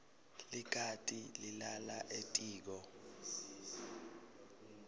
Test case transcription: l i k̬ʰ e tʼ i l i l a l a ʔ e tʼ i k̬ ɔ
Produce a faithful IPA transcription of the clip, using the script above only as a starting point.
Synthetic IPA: l i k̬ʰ a tʼ i l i l a l a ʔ e tʼ iː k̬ ɔ